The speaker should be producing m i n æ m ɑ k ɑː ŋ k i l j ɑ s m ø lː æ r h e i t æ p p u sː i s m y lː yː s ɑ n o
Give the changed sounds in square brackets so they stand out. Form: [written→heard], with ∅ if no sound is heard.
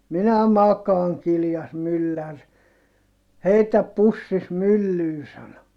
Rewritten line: m i n æ m ɑ k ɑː ŋ k i l j ɑ s m [ø→y] lː æ r h e i t æ p p u sː i s m y lː yː s ɑ n o